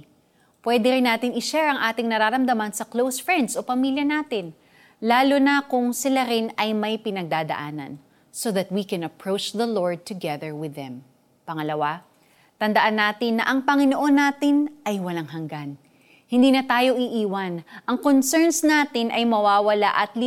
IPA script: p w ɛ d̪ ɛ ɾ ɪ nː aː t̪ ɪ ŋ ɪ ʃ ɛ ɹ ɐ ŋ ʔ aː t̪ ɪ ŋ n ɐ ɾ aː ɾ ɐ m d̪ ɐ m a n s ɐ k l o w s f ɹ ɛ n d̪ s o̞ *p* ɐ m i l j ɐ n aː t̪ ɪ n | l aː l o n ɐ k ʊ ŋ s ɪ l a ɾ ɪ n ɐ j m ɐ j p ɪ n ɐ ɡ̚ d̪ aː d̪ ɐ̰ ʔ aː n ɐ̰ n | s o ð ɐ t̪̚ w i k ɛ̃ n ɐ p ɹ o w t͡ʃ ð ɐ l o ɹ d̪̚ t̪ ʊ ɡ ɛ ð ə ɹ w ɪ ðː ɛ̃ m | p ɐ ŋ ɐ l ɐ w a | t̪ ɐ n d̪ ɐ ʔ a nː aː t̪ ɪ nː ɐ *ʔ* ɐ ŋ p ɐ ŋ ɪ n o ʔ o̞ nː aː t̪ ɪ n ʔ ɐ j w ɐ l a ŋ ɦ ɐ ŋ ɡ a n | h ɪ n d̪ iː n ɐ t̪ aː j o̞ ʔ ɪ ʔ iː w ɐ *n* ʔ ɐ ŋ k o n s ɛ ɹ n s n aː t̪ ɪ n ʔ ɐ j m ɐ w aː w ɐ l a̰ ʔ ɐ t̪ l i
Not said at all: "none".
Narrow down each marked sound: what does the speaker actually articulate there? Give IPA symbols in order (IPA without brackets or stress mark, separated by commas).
p, ʔ, n